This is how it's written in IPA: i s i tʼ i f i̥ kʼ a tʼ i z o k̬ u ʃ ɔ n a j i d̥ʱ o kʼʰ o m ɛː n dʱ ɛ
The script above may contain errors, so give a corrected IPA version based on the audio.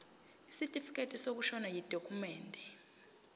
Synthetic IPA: i s i tʼ i f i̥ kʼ e tʼ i s o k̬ u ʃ ɔ n a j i d̥ʱ o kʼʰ u m ɛː n dʱ ɛ